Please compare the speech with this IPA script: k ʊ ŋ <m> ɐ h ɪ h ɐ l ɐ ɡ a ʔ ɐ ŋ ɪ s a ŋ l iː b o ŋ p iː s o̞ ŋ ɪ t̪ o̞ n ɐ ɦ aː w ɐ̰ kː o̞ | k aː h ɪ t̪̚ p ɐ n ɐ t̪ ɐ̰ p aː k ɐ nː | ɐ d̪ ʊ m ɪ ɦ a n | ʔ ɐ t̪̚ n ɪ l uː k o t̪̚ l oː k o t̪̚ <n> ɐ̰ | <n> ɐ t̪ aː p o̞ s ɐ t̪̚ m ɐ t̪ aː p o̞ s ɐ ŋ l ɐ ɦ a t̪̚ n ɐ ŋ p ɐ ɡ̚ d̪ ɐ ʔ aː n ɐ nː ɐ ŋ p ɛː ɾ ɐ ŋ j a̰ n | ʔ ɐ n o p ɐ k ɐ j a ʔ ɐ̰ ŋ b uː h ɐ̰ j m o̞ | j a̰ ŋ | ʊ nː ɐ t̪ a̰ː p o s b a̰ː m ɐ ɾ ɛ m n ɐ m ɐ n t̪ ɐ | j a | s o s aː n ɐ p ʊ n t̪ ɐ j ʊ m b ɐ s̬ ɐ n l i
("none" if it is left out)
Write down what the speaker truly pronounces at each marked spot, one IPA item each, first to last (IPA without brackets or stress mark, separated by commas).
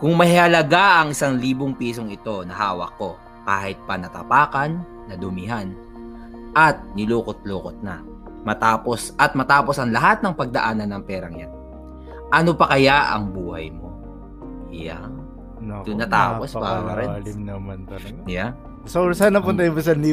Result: m, n, m